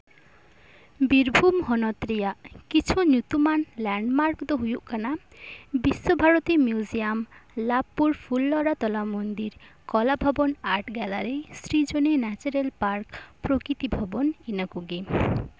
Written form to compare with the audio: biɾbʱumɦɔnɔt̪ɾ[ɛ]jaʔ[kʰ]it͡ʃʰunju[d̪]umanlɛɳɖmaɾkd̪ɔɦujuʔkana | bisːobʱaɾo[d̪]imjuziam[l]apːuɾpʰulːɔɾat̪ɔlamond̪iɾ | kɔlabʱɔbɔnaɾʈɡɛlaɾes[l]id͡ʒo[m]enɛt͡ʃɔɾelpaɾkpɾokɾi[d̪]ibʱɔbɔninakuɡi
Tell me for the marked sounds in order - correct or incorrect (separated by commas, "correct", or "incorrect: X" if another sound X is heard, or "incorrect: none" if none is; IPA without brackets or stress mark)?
incorrect: i, incorrect: k, incorrect: t̪, incorrect: t̪, correct, incorrect: ɾ, incorrect: n, incorrect: t̪